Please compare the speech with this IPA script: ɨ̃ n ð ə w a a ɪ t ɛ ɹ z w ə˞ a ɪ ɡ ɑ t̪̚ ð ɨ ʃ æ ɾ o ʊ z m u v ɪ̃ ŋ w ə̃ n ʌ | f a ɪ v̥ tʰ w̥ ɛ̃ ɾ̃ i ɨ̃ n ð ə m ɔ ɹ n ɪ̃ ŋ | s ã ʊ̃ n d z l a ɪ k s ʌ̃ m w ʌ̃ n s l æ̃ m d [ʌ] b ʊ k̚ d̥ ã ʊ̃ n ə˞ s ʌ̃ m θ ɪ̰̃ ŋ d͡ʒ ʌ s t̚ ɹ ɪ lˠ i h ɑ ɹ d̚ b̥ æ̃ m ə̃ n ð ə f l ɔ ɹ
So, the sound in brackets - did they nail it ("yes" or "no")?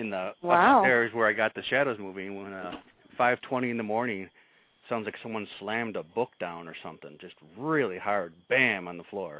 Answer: no